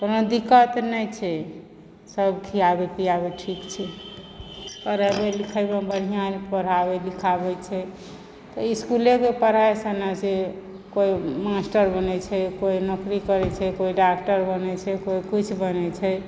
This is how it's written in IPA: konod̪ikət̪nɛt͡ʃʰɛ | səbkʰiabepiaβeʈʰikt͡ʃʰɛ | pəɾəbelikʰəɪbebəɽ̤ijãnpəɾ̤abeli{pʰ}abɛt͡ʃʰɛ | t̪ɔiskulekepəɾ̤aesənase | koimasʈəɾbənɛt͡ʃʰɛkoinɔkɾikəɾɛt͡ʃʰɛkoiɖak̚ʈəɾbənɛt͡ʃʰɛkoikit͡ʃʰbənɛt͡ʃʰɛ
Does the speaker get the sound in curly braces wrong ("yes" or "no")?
yes